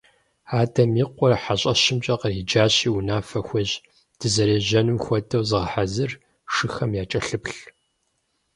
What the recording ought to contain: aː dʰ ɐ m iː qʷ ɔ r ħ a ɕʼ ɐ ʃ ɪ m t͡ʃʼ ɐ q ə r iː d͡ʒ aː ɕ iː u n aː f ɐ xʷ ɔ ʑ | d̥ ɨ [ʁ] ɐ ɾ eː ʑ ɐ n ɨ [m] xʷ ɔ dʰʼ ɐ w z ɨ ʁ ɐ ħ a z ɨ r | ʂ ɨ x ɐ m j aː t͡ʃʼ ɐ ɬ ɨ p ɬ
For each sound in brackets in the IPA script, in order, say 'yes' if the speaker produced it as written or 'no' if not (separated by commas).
no, yes